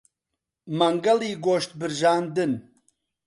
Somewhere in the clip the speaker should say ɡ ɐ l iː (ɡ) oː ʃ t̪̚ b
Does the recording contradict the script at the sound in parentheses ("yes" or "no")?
no